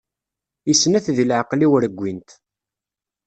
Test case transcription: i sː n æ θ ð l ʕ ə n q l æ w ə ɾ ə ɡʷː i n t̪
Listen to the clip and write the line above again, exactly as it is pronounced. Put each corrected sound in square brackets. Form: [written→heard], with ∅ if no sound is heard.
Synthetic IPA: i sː n æ θ ð l ʕ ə [n→∅] q l [æ→i] w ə ɾ ə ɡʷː i n t̪